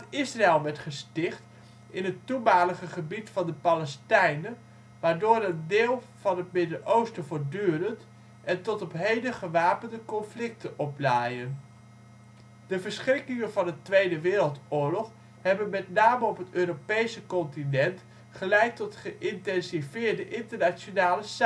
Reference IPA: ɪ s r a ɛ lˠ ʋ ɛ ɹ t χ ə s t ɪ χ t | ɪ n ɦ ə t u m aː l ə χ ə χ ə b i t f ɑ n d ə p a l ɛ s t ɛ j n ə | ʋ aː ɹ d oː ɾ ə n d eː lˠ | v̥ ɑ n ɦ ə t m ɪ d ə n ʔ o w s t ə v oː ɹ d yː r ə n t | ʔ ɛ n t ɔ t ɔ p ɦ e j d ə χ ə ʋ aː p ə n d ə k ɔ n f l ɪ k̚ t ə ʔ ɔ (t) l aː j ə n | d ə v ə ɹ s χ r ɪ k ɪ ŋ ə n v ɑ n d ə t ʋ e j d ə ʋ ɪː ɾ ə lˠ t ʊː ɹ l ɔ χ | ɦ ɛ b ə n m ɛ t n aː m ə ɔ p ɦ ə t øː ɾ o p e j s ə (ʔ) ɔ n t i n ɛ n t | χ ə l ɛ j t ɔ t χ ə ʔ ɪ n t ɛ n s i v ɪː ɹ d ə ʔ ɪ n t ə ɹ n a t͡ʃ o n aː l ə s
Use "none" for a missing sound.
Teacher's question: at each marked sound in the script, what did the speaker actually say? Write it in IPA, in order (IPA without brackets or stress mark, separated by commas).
p, k